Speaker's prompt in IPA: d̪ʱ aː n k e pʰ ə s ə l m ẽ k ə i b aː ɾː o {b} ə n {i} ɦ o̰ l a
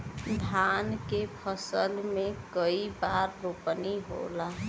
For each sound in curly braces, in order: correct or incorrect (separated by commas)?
incorrect, correct